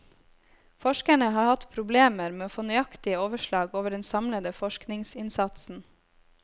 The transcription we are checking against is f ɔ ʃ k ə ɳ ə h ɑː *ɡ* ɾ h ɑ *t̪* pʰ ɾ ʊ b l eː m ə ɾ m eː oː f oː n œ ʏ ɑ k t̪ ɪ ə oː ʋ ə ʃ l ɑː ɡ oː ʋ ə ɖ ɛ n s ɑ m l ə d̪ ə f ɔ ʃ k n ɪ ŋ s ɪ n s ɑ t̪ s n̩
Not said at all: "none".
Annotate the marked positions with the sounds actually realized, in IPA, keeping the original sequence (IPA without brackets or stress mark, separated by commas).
none, t̪